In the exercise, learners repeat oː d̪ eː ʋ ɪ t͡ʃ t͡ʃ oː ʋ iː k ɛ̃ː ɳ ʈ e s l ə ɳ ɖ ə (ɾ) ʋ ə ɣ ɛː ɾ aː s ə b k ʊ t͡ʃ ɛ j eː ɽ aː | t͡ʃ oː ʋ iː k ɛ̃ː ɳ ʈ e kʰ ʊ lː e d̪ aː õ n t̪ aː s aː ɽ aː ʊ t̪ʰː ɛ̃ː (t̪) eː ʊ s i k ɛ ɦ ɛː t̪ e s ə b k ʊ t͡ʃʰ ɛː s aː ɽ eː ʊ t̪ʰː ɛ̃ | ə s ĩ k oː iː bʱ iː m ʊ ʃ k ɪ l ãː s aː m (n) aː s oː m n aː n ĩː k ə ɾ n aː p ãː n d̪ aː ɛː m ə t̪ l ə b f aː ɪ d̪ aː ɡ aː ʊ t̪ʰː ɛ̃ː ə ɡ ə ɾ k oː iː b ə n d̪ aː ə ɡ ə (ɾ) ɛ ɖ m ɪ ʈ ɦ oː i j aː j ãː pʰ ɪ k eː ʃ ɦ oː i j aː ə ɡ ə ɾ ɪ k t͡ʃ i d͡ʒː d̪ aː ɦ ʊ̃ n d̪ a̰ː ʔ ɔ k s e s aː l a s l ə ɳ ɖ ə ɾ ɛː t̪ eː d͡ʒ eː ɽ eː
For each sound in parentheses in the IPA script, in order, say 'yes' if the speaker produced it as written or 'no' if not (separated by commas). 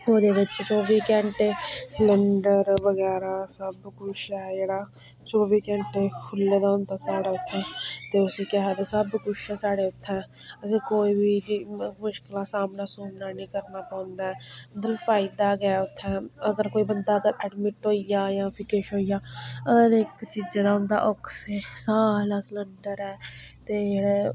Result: yes, yes, yes, yes